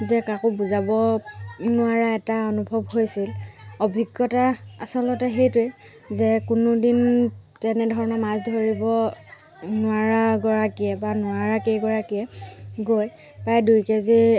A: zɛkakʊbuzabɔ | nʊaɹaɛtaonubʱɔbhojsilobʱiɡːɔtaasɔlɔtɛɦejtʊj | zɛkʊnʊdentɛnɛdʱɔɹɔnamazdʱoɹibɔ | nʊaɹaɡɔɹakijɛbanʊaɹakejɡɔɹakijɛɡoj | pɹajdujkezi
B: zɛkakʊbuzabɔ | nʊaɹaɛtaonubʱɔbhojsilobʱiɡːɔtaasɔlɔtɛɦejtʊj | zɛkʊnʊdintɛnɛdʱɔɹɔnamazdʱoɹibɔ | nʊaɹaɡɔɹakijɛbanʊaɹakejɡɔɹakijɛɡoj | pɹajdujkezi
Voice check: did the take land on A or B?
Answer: B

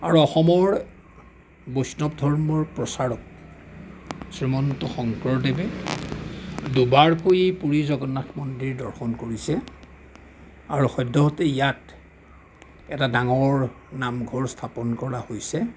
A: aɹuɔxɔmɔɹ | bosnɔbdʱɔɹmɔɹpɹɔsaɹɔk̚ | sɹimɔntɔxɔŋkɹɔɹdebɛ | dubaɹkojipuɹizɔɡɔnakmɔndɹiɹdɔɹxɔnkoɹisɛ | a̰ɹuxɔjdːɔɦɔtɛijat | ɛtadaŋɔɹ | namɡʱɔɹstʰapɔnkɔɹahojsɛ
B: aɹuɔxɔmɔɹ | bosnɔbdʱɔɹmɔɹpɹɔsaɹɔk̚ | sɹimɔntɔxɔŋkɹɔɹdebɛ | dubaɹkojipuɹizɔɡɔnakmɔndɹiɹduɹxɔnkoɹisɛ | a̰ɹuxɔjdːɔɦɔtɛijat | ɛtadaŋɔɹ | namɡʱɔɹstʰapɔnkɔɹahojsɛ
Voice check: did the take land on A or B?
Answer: A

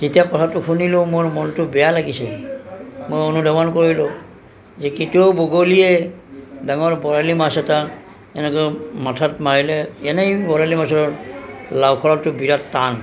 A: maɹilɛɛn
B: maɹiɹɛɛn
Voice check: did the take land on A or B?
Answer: A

